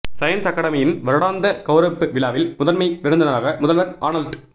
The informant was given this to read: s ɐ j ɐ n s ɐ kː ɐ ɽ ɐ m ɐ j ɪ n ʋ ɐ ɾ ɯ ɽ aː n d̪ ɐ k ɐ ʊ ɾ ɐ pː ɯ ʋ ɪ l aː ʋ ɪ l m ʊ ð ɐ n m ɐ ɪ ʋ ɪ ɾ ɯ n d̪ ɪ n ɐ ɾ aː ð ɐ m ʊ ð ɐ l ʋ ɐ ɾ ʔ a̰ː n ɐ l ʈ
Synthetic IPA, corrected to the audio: s ɐ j ɐ n s ɐ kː ɐ ɽ ɐ m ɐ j ɪ n ʋ ɐ ɾ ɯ ɽ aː n d̪ ɐ k ɐ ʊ ɾ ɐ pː ɯ ʋ ɪ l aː ʋ ɪ l m ʊ ð ɐ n m ɐ ɪ ʋ ɪ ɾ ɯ n d̪ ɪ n ɐ ɾ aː ɣ ɐ m ʊ ð ɐ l ʋ ɐ ɾ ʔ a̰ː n ɐ l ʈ